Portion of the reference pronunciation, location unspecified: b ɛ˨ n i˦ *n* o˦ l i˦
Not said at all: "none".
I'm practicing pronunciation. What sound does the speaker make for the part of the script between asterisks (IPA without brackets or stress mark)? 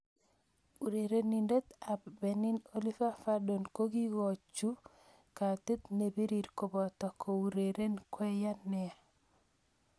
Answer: n